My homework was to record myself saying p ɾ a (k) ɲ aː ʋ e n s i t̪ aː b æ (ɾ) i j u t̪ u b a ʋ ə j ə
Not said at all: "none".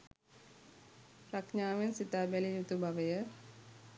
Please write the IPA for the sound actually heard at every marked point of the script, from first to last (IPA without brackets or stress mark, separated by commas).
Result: k, l